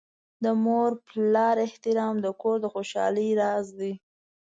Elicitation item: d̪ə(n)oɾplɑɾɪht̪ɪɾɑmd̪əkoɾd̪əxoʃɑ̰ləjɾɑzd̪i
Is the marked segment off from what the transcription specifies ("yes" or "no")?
yes